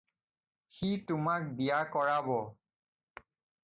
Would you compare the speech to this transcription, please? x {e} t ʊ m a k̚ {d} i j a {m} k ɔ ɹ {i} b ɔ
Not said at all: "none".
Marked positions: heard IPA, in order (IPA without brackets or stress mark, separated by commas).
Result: i, b, none, a